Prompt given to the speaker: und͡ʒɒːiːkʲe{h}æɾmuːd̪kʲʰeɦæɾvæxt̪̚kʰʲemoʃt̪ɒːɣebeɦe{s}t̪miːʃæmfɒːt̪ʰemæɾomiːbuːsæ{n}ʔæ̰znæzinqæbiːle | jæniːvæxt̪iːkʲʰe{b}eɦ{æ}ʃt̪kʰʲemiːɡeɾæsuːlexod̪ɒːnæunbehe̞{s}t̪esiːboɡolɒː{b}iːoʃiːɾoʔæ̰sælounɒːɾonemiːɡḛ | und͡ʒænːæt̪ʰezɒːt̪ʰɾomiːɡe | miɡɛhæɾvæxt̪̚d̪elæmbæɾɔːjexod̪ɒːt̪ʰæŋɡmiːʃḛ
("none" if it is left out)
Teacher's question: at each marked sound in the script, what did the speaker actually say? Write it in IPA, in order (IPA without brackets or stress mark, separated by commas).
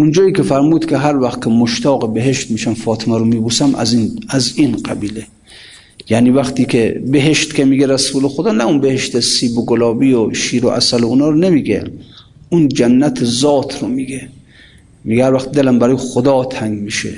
f, ʃ, m, b, e, ʃ, b